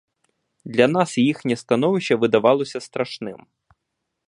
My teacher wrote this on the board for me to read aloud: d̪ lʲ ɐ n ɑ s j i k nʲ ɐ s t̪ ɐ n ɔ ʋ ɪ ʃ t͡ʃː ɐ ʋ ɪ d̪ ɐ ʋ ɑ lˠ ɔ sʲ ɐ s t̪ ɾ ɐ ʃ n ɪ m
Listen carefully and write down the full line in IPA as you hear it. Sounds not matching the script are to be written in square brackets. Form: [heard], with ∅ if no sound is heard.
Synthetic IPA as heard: d̪ lʲ ɐ n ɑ s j i [x] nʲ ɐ s t̪ ɐ n ɔ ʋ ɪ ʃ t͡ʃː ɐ ʋ ɪ d̪ ɐ ʋ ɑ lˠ ɔ sʲ ɐ s t̪ ɾ ɐ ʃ n ɪ m